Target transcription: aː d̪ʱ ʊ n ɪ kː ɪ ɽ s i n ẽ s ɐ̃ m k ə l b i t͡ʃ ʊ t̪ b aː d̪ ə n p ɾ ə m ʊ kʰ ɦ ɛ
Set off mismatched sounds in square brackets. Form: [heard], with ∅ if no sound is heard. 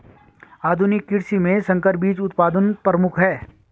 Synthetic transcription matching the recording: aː d̪ʱ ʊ n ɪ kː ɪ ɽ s i [m] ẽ s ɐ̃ [ŋ] k ə [ɾ] b [iː] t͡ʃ ʊ t̪ [p] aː d̪ ə n p ɾ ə m ʊ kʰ ɦ [ɛː]

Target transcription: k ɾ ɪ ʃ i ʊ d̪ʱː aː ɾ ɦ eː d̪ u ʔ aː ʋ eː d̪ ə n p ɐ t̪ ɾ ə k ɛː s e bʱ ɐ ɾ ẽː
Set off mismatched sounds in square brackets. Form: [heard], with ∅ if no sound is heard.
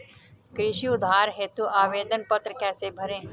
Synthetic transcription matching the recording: k ɾ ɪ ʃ i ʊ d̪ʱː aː ɾ ɦ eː [t̪] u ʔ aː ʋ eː d̪ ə n p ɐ t̪ ɾ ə k ɛː s e bʱ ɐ ɾ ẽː

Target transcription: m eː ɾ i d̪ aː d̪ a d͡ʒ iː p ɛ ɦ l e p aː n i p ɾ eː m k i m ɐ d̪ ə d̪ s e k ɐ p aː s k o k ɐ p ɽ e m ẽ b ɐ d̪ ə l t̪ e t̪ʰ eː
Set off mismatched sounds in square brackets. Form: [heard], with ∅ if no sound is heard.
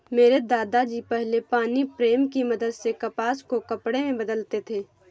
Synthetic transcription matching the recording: m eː ɾ [e] d̪ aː d̪ a d͡ʒ iː p ɛ ɦ l e p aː n i p ɾ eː m k i m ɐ d̪ ə d̪ s e k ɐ p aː s k o k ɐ p ɽ e m ẽ b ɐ d̪ ə l t̪ e t̪ʰ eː

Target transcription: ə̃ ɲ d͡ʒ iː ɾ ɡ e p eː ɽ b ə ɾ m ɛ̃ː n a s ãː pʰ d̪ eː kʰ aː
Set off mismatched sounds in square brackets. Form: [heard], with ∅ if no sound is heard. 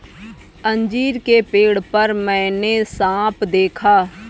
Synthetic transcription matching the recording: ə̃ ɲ d͡ʒ iː ɾ [k] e p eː ɽ [p] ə ɾ m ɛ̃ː n [e] s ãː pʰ d̪ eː kʰ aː

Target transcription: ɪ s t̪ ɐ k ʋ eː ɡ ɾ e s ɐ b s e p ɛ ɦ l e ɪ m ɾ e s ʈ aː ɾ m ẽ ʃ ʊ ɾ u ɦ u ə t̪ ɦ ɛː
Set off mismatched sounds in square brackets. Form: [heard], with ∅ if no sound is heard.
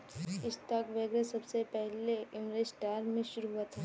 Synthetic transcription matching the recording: ɪ s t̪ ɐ k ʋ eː ɡ ɾ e s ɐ b s e p ɛ ɦ l e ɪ m ɾ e s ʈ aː ɾ m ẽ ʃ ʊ ɾ u ɦ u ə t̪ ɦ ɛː

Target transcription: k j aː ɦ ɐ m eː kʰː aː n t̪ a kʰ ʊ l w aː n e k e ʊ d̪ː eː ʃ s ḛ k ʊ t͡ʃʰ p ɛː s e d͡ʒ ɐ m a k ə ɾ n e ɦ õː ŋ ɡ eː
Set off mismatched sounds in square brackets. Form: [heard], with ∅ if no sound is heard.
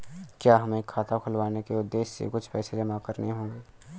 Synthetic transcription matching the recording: k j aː ɦ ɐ m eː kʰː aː [∅] t̪ a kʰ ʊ l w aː n e k e ʊ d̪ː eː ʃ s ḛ k ʊ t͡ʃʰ p ɛː s e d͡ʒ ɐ m a k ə ɾ n e ɦ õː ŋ ɡ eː

